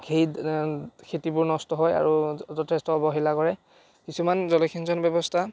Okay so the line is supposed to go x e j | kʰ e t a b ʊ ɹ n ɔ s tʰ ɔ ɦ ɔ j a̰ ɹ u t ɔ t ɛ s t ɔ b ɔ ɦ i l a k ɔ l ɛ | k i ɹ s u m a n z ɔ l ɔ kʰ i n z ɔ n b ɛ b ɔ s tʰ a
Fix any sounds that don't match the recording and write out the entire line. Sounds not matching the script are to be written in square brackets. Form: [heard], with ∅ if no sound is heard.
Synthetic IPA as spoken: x e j | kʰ e t [i] b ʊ ɹ n ɔ s [t] ɔ ɦ ɔ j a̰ ɹ u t ɔ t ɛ s t ɔ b ɔ ɦ i l a k ɔ [ɹ] ɛ | k i [∅] s u m a n z ɔ l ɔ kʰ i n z ɔ n b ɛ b ɔ s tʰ a